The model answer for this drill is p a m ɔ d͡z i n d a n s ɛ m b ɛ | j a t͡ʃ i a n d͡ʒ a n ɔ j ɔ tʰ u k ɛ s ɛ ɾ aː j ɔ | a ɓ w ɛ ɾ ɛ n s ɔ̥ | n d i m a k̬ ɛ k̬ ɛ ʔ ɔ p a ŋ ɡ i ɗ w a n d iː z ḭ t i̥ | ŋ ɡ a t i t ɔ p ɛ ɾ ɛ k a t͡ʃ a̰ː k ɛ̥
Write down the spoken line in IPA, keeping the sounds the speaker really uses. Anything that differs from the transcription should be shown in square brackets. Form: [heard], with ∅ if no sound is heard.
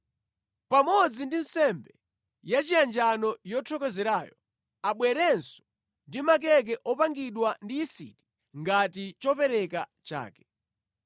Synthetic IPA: p a m ɔ d͡z i n d [i] n s ɛ m b ɛ | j a t͡ʃ i a n d͡ʒ a n ɔ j ɔ tʰ [ɔ] k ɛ [z] ɛ ɾ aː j ɔ | a ɓ w ɛ ɾ ɛ n s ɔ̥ | n d i m a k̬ ɛ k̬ ɛ ʔ ɔ p a ŋ ɡ i ɗ w a n d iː [s] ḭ t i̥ | ŋ ɡ a t i [t͡ʃ] ɔ p ɛ ɾ ɛ k a t͡ʃ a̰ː k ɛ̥